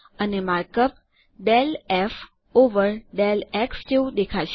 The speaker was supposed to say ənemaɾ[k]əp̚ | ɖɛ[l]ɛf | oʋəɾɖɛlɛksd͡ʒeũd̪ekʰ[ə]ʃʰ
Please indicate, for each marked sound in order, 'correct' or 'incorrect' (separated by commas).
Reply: correct, correct, incorrect